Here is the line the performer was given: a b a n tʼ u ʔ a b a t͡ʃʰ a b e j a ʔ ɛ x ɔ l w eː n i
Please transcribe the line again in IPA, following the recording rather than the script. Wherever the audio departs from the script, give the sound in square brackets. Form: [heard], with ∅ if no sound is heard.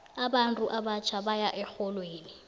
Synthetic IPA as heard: a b a n tʼ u ʔ a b a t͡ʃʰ a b [a] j a ʔ ɛ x ɔ l w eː n i